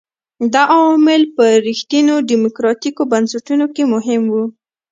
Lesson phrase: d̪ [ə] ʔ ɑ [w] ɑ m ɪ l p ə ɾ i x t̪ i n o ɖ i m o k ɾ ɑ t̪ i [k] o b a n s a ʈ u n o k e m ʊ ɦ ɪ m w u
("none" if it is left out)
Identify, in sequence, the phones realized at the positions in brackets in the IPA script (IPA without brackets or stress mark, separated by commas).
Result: ɑ, w, k